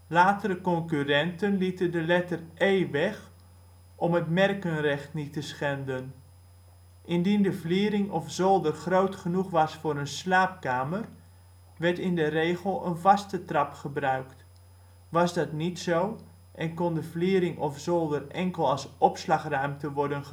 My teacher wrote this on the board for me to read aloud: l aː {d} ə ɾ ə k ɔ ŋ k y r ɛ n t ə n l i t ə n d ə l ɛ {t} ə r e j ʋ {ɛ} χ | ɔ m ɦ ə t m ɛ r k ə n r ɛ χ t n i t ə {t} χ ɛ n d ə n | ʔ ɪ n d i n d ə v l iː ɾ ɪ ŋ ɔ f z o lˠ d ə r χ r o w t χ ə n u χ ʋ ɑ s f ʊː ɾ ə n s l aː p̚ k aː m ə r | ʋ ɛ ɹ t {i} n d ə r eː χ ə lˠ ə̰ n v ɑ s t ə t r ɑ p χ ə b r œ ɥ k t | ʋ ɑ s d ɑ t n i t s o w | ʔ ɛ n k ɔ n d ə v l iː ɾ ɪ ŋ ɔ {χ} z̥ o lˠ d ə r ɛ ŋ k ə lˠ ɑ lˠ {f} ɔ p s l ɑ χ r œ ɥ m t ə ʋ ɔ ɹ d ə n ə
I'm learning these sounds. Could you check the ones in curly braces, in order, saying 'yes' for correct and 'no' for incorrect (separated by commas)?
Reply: no, yes, yes, no, no, no, no